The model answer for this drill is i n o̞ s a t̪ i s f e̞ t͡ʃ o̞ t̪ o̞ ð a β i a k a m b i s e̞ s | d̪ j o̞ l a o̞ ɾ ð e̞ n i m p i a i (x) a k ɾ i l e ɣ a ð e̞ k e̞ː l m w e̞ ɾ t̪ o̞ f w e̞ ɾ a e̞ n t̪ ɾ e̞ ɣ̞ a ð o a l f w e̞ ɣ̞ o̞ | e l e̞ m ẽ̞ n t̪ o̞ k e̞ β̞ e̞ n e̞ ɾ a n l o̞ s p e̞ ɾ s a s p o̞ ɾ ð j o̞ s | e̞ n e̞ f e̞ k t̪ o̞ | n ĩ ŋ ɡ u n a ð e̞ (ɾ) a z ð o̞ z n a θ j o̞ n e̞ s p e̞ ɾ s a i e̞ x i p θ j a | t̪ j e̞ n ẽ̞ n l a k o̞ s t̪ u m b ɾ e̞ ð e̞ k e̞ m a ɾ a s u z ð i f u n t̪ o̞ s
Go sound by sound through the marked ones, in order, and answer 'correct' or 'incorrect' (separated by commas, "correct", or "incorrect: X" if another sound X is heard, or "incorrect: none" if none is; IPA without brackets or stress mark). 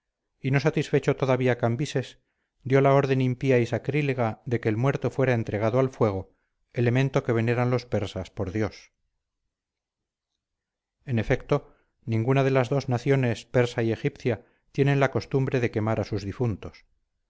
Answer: incorrect: s, incorrect: l